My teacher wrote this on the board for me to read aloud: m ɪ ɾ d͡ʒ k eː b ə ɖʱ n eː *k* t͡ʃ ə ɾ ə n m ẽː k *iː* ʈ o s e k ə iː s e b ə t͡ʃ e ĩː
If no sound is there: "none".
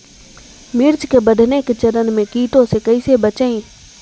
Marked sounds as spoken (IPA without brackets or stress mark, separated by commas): k, iː